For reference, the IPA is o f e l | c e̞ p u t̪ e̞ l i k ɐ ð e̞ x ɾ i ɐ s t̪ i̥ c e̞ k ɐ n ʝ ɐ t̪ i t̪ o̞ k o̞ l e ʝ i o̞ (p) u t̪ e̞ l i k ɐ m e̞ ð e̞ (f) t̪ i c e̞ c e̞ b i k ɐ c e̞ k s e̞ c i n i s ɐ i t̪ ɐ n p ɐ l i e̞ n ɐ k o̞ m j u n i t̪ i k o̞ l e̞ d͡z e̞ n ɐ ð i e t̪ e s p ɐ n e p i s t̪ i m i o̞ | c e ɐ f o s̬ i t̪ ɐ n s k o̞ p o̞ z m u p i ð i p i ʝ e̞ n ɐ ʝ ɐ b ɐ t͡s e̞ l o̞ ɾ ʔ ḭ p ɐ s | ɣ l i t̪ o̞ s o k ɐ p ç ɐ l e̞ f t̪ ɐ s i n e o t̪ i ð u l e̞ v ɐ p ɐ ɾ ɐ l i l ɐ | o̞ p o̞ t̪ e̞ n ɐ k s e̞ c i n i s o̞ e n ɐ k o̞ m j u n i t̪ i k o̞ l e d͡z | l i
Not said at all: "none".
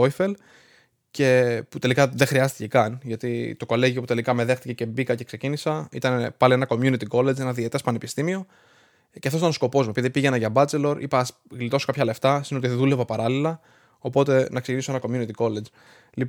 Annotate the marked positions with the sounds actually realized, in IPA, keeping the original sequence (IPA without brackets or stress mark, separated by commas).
p, x